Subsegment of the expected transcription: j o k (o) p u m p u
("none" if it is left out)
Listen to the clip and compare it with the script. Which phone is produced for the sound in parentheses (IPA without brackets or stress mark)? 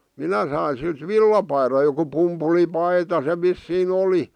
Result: u